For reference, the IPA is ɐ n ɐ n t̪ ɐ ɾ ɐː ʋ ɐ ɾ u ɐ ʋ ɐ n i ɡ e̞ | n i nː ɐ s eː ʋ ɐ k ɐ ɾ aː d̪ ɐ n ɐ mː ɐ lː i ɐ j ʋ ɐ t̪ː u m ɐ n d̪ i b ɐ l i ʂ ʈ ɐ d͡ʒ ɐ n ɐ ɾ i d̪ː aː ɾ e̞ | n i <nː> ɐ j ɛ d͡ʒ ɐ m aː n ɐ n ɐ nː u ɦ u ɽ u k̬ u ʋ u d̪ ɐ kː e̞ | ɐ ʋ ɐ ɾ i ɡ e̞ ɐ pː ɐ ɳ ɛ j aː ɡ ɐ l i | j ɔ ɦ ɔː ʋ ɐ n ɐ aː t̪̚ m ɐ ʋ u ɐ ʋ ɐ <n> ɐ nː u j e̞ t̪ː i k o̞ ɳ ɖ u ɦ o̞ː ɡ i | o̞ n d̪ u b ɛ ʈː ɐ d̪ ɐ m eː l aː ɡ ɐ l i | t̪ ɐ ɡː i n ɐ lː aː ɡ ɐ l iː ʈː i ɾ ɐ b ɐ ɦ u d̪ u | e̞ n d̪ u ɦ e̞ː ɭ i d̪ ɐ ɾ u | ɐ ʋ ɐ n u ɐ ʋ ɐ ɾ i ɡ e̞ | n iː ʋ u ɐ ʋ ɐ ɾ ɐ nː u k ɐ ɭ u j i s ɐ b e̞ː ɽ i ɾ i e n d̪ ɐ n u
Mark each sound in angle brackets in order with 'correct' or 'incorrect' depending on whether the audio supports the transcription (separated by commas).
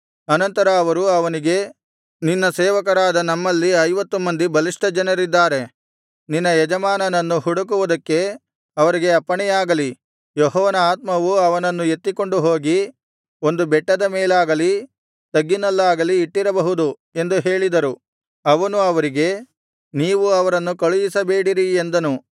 correct, correct